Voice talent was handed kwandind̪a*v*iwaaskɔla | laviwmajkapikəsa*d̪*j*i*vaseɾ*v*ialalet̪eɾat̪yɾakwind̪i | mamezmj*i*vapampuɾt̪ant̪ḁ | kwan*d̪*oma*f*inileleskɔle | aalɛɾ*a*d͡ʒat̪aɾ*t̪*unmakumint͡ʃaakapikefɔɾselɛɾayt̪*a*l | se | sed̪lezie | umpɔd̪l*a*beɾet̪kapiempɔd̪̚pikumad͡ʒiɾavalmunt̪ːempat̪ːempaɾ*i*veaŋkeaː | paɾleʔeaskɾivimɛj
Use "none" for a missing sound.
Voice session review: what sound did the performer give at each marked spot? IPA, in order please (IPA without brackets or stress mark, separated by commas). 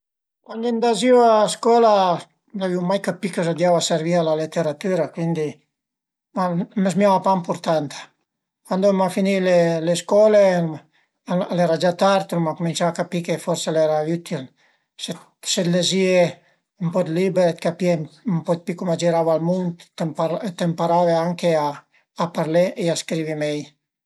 z, d̪, a, v, a, d̪, f, a, t̪, i, i, a